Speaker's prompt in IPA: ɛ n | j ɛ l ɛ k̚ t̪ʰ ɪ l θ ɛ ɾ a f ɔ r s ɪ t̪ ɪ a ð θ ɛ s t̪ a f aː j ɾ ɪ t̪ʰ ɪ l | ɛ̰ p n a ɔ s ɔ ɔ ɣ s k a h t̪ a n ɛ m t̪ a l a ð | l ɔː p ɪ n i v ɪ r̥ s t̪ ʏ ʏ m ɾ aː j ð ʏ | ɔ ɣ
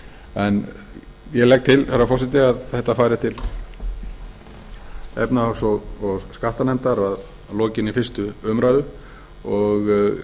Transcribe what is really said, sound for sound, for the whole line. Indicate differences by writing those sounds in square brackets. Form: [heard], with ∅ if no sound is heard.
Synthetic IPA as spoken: ɛ n | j ɛ l ɛ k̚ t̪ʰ ɪ l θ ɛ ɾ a f ɔ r s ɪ t̪ ɪ a ð θ ɛ [h] t̪ a f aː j ɾ ɪ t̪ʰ ɪ l | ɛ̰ p n a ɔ s ɔ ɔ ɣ s k a h t̪ a n ɛ m t̪ a [ɾ] a ð | l ɔː [c] ɪ n i [f] ɪ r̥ s t̪ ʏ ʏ m ɾ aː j ð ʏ | ɔ ɣ